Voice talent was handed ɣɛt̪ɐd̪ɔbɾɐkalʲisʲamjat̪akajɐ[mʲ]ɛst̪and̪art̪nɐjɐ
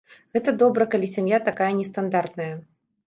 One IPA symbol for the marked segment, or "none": nʲ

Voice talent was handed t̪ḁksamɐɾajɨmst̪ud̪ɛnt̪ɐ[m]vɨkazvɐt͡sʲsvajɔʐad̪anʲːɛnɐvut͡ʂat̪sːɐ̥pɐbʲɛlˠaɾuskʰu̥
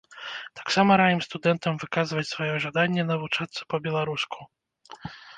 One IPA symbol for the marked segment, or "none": m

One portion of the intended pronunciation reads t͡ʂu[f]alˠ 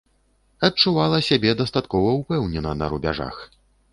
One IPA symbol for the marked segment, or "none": v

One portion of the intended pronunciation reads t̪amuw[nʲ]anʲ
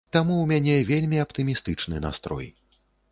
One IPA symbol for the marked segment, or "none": mʲ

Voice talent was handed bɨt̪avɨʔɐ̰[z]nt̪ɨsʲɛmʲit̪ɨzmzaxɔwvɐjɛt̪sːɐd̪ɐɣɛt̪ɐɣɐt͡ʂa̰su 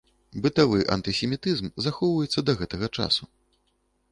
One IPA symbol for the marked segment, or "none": none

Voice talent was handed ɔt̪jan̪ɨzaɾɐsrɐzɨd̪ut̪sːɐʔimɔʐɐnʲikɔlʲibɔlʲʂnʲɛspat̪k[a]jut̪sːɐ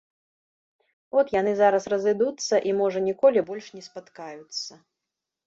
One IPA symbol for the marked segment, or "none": a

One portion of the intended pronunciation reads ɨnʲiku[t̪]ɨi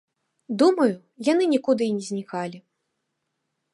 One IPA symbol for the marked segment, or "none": d̪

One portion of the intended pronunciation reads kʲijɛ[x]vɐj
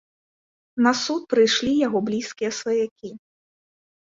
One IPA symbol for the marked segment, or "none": s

